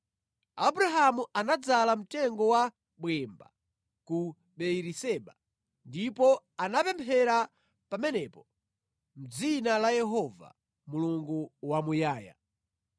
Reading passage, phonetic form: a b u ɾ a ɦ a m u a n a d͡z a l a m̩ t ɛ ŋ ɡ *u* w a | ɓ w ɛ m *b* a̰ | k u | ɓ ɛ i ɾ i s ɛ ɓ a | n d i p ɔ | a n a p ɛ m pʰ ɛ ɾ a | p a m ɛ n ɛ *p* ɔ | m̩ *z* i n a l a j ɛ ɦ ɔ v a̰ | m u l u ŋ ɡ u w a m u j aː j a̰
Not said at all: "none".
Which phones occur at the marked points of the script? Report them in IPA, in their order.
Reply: ɔ, b, p, d͡z

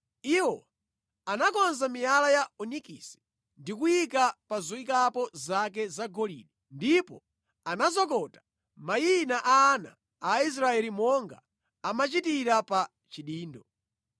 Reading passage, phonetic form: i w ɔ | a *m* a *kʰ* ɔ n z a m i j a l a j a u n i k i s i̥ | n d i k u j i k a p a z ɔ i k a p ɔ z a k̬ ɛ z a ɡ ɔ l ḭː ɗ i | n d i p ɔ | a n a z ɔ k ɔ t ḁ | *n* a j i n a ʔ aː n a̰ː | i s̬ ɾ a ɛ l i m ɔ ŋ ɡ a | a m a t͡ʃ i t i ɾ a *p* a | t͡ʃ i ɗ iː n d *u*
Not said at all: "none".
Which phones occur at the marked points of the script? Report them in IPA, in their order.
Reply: n, k, m, p, ɔ

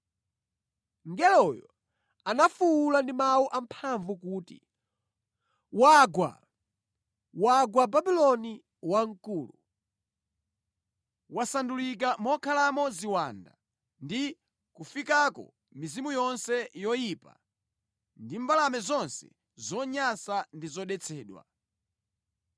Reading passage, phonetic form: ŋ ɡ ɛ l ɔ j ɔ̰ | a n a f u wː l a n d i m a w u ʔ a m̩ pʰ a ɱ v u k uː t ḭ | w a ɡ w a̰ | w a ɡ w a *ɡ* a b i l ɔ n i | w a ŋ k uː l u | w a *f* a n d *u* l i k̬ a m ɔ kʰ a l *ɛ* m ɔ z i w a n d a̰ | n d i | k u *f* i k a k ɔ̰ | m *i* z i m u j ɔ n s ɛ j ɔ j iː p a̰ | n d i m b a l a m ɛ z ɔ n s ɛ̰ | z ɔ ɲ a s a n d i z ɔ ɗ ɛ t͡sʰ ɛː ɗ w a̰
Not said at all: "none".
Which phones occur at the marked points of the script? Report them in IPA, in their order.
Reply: b, s, u, a, f, i

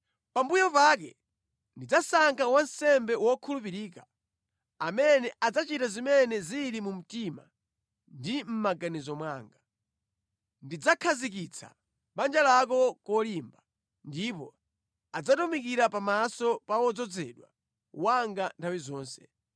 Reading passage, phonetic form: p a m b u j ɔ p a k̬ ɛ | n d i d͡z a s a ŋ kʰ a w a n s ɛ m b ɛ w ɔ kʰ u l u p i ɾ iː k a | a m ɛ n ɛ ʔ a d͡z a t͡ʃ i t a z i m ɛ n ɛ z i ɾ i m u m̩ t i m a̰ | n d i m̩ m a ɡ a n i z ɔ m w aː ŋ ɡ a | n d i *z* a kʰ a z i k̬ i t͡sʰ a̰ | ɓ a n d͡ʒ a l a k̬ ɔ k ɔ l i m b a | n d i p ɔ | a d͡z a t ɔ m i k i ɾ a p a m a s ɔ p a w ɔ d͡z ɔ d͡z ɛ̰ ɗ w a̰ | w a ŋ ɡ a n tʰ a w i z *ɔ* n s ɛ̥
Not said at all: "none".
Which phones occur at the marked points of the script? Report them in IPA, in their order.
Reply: d͡z, ɔː

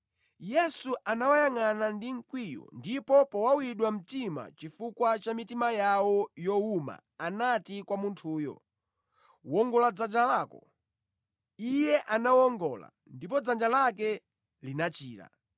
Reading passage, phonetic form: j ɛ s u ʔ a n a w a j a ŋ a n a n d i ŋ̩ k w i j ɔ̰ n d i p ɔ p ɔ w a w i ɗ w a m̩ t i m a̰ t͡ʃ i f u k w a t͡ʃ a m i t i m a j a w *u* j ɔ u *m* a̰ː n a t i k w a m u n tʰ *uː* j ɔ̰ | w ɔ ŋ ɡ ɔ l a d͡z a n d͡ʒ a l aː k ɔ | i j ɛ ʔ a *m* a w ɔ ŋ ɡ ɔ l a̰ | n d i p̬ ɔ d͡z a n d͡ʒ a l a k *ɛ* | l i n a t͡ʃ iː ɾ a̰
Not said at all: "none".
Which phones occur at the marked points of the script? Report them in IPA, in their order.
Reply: ɔ, m, uː, n, ɛ

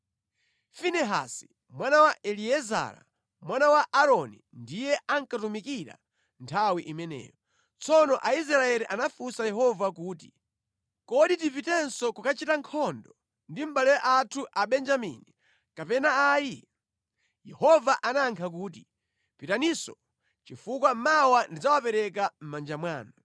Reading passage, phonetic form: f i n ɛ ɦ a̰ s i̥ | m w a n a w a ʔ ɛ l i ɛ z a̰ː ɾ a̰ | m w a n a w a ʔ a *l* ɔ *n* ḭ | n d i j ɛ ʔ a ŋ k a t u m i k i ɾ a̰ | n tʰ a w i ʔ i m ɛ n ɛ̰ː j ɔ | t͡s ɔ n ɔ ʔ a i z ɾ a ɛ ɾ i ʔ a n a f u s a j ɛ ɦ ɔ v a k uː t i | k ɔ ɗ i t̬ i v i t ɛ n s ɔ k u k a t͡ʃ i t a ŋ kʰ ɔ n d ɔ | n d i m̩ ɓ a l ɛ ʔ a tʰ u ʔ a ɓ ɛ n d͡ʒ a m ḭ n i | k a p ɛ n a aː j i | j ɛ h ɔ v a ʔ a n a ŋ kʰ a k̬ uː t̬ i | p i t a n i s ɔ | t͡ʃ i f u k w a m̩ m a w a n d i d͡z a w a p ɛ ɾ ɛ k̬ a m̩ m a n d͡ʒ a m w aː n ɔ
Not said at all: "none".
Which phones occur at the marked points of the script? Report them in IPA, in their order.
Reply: ɾ, n

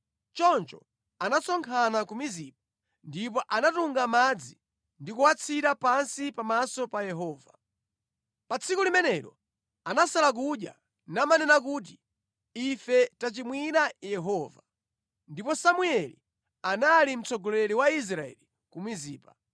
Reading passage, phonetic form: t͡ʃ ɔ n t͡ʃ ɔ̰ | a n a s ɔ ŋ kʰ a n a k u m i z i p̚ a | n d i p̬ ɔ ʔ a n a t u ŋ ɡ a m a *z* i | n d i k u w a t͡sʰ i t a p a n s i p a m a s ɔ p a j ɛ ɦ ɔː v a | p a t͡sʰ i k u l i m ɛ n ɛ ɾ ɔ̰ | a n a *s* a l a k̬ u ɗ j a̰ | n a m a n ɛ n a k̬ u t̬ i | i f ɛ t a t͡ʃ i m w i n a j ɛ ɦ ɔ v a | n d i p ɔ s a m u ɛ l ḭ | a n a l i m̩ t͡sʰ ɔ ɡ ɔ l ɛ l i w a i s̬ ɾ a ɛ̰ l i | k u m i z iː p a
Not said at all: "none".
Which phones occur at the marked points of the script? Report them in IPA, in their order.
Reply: d͡z, s

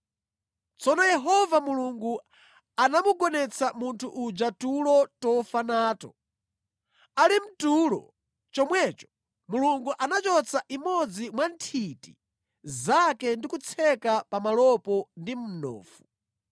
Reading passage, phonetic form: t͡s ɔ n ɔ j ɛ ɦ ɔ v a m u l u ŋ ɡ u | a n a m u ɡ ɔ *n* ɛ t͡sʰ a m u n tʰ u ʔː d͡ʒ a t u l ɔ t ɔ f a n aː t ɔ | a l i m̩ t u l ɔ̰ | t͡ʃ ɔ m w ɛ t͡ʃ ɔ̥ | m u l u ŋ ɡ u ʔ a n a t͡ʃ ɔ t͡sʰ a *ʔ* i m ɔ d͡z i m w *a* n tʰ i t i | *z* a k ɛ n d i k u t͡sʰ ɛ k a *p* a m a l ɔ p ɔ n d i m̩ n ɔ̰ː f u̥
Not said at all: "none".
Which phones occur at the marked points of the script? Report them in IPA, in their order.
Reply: n, ʔ, a, z, p

